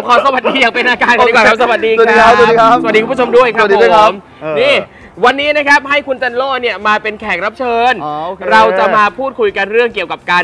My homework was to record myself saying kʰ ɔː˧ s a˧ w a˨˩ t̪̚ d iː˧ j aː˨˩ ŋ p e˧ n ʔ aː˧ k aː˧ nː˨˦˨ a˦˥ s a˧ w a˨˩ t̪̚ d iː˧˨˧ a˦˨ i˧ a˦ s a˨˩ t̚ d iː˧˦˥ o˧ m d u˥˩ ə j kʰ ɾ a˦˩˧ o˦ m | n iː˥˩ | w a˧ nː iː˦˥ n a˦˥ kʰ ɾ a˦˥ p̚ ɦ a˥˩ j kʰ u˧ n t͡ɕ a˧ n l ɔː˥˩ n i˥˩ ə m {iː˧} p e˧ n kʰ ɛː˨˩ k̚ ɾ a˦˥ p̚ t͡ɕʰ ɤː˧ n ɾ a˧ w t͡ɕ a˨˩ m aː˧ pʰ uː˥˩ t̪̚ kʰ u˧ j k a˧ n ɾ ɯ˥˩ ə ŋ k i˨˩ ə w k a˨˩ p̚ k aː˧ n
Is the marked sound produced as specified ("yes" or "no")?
no